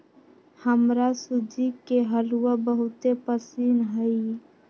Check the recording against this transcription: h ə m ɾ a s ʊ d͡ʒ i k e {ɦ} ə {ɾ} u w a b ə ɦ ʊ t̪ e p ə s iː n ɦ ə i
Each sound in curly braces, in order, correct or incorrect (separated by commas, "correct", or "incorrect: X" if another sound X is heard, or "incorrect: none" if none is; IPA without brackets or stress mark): correct, incorrect: l